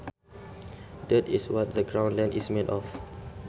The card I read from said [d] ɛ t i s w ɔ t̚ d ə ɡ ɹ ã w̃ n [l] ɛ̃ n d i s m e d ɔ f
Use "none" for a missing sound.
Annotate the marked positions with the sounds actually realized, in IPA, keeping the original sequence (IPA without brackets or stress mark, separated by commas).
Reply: d, l